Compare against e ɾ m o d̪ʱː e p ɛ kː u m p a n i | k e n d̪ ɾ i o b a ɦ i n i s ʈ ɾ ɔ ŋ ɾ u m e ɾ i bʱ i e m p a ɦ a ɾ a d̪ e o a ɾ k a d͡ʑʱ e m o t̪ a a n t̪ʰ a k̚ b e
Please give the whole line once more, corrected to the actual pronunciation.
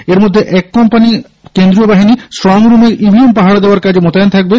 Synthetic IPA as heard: e ɾ m o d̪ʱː e ʔ ɛ kː ɔ m p a n i | k e n d̪ ɾ i o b a ɦ i n i s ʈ ɾ ɔ ŋ ɾ u m e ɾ i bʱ i e m p a ɦ a ɽ a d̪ e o a ɾ k a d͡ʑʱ e m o t̪ a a n t̪ʰ a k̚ b e